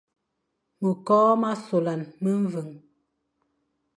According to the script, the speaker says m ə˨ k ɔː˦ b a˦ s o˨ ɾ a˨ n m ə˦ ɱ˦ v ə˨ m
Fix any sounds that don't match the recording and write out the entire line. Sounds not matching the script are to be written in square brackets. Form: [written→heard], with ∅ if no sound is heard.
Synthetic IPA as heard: m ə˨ k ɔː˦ [b→m] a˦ s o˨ [ɾ→l] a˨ n m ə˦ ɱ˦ v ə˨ [m→ŋ]